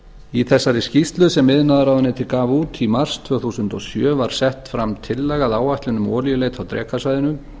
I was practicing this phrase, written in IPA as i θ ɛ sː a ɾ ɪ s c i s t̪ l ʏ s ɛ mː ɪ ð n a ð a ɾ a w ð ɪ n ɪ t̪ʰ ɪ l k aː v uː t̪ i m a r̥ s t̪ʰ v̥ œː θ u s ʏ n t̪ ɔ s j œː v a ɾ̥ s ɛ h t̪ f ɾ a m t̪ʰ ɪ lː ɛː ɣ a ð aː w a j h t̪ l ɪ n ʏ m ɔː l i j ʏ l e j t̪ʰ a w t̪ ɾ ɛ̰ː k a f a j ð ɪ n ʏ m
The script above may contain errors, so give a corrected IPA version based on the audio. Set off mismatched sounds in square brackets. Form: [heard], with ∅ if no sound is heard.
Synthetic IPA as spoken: i θ ɛ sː a ɾ ɪ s c i s t̪ l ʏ s ɛ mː ɪ ð n a ð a ɾ a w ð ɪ n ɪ t̪ʰ ɪ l k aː v uː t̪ i m a r̥ s t̪ʰ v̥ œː θ u s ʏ n t̪ ɔ s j œː v a ɾ̥ s ɛ h t̪ f ɾ a m t̪ʰ ɪ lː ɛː ɣ a ð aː w a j h t̪ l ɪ n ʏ m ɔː l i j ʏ l e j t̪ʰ a w t̪ ɾ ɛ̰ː k a [s] a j ð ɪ n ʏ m